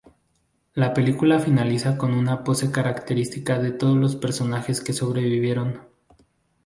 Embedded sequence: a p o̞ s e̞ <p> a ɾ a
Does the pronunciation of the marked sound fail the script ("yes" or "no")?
yes